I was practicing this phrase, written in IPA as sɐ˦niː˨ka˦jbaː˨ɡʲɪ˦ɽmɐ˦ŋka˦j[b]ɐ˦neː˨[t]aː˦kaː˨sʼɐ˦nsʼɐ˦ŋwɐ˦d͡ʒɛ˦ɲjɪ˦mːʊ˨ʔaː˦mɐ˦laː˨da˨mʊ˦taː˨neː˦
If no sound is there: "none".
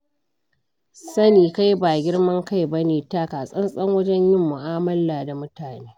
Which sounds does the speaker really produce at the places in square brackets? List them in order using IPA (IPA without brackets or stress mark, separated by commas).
b, t